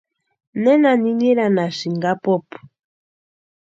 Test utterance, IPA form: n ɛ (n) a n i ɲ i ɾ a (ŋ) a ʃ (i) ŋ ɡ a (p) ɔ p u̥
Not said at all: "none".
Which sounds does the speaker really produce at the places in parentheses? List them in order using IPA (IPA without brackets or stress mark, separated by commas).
n, n, i, p